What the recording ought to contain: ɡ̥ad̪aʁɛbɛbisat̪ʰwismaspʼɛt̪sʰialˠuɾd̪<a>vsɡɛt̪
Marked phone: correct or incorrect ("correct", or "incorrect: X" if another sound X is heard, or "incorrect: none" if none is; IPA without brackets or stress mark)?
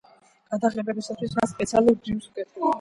incorrect: i